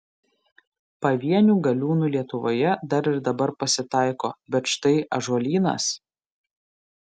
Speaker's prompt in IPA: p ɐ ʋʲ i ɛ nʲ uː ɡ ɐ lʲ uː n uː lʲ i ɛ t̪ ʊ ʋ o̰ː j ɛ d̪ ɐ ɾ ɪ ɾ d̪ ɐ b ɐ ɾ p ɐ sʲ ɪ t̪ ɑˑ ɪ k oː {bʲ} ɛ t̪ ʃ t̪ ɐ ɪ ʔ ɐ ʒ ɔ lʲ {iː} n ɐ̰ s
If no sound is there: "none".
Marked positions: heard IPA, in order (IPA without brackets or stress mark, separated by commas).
bʲ, iː